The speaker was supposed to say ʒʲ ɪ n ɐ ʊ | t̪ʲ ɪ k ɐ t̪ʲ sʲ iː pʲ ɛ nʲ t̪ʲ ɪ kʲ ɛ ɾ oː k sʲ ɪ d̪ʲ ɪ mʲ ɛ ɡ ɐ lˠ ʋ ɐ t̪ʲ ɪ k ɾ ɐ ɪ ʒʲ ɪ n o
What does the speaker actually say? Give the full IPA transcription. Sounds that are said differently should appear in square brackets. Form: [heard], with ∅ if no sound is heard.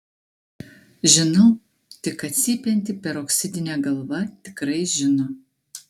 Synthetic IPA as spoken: ʒʲ ɪ n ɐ ʊ | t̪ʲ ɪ k ɐ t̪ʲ sʲ iː pʲ ɛ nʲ t̪ʲ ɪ [pʲ] ɛ ɾ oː k sʲ ɪ d̪ʲ ɪ [nʲ] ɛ ɡ ɐ lˠ ʋ ɐ t̪ʲ ɪ k ɾ ɐ ɪ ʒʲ ɪ n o

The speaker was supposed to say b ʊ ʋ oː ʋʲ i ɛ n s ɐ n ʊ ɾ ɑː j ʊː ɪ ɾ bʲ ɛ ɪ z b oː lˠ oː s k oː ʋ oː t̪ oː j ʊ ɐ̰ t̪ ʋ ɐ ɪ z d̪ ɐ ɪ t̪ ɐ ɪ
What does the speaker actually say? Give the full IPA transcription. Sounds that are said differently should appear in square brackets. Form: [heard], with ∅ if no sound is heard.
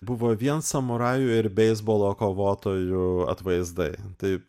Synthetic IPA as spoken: b ʊ ʋ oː ʋʲ i ɛ n s ɐ [m] ʊ ɾ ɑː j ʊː ɪ ɾ bʲ ɛ ɪ z b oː lˠ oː [∅] k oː ʋ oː t̪ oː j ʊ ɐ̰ t̪ ʋ ɐ ɪ z d̪ ɐ ɪ t̪ ɐ ɪ

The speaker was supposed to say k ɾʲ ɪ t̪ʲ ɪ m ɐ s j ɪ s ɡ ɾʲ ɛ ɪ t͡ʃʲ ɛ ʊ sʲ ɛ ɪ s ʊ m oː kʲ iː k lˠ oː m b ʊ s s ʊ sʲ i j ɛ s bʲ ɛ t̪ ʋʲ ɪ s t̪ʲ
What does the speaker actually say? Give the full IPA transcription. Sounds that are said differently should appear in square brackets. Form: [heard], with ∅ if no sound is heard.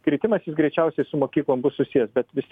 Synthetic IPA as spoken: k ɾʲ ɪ t̪ʲ ɪ m ɐ s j ɪ s ɡ ɾʲ ɛ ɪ t͡ʃʲ ɛ ʊ sʲ ɛ ɪ s ʊ m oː kʲ iː k lˠ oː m b ʊ s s ʊ sʲ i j ɛ s bʲ ɛ t̪ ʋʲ ɪ s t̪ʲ

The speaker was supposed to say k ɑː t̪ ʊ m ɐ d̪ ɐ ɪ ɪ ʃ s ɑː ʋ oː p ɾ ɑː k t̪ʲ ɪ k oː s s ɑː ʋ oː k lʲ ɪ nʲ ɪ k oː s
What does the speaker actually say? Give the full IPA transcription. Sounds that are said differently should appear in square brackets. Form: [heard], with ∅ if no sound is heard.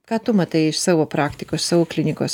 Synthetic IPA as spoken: k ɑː t̪ ʊ m ɐ [t̪] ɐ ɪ ɪ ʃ s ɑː ʋ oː p ɾ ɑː k t̪ʲ ɪ k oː s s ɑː ʋ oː k lʲ ɪ nʲ ɪ k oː s

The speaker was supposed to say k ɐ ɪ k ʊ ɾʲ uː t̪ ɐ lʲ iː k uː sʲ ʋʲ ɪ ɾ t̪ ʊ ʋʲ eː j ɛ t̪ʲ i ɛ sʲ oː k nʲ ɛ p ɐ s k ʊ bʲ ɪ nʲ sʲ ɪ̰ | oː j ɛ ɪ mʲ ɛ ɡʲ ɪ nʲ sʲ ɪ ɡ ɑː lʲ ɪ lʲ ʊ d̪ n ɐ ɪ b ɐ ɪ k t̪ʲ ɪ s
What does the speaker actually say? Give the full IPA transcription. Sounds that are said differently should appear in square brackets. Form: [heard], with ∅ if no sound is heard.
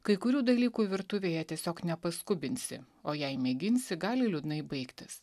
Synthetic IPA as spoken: k ɐ ɪ k ʊ ɾʲ uː [d̪] ɐ lʲ iː k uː [∅] ʋʲ ɪ ɾ t̪ ʊ ʋʲ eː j ɛ t̪ʲ i ɛ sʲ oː k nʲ ɛ p ɐ s k ʊ bʲ ɪ nʲ sʲ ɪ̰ | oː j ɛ ɪ mʲ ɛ ɡʲ ɪ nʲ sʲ ɪ ɡ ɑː lʲ ɪ lʲ ʊ d̪ n ɐ ɪ b ɐ ɪ k t̪ʲ ɪ s

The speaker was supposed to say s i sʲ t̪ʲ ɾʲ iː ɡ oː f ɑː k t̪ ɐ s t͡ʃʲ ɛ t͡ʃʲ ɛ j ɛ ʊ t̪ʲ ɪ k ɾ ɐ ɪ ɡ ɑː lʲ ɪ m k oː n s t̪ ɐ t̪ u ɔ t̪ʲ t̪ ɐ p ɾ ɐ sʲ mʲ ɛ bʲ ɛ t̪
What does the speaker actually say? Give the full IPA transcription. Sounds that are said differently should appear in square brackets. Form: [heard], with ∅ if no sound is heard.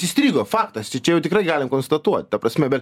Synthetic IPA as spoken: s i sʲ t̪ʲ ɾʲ iː ɡ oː f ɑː k t̪ ɐ s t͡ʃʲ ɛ t͡ʃʲ ɛ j ɛ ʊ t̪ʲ ɪ k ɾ ɐ ɪ ɡ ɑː lʲ ɪ m k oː n s t̪ ɐ t̪ u ɔ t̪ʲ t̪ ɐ p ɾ ɐ sʲ mʲ ɛ bʲ ɛ t̪

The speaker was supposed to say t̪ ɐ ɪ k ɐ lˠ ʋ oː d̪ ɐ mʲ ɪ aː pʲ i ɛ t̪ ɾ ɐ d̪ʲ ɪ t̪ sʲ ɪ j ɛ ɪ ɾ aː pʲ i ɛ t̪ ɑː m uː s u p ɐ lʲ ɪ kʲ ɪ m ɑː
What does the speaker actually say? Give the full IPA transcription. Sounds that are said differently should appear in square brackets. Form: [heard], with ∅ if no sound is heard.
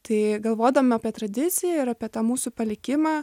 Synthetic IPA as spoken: t̪ ɐ ɪ [ɡ] ɐ lˠ ʋ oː d̪ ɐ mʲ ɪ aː pʲ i ɛ t̪ ɾ ɐ d̪ʲ ɪ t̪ sʲ ɪ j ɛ ɪ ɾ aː pʲ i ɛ t̪ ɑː m uː s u p ɐ lʲ ɪ kʲ ɪ m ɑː

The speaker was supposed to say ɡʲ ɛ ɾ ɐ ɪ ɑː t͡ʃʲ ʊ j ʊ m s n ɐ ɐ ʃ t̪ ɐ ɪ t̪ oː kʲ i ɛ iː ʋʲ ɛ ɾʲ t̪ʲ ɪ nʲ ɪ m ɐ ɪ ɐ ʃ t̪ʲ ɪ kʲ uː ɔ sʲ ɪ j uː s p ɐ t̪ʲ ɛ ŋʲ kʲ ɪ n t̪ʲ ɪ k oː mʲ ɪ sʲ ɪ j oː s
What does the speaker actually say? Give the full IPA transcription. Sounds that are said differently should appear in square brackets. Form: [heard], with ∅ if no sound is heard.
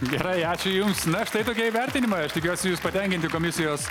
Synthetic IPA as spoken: ɡʲ ɛ ɾ ɐ ɪ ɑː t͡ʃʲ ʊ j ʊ m s n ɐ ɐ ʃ t̪ ɐ ɪ t̪ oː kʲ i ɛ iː ʋʲ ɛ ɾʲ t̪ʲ ɪ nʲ ɪ m ɐ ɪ ɐ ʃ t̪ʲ ɪ kʲ [u] ɔ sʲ ɪ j uː s p ɐ t̪ʲ ɛ ŋʲ kʲ ɪ n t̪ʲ ɪ k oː mʲ ɪ sʲ ɪ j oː s

